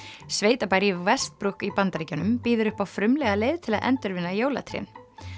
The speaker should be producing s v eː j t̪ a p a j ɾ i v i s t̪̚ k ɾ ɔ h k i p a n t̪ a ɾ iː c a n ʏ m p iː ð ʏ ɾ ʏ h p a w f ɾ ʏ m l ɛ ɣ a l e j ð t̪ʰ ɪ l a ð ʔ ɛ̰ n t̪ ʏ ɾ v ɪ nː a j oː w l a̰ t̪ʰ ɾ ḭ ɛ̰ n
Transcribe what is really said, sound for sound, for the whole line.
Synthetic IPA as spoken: s v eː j t̪ a p a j ɾ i v ɛ s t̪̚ p ɾ u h k i p a n t̪ a ɾ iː c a n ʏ m p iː ð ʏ ɾ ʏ h p a w f ɾ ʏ m l ɛ ɣ a l e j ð t̪ʰ ɪ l a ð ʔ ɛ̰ n t̪ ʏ ɾ v ɪ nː a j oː w l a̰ t̪ʰ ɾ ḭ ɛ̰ n